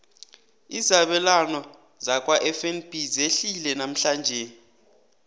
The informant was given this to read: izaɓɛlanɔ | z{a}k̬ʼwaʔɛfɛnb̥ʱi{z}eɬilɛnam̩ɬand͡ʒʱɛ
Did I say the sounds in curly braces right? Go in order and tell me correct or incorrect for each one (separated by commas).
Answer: correct, correct